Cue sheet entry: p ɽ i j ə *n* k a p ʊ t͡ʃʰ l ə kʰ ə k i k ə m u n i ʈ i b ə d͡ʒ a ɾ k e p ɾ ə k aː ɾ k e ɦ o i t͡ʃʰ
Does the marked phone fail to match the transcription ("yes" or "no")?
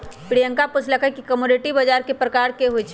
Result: yes